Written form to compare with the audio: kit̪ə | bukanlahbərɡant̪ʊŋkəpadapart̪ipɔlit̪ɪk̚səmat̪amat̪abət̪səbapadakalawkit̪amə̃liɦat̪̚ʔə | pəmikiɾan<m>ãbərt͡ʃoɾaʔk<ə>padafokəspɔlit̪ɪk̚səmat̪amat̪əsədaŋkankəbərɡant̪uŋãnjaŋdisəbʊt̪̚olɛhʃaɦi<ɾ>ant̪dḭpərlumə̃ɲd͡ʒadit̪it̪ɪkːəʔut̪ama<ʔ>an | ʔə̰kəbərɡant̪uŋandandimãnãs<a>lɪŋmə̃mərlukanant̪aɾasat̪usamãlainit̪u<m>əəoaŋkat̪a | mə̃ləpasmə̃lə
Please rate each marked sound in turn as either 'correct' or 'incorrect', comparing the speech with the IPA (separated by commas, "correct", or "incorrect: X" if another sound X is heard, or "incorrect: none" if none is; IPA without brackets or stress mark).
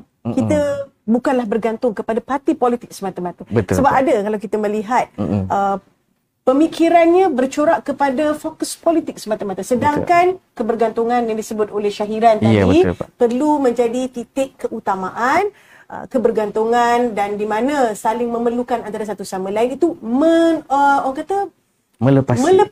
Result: incorrect: ɲ, correct, correct, correct, correct, correct